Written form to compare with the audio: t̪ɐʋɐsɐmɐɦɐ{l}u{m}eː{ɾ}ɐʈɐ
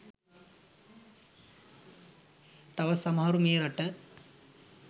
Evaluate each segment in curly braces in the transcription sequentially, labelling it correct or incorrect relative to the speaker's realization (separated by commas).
incorrect, correct, correct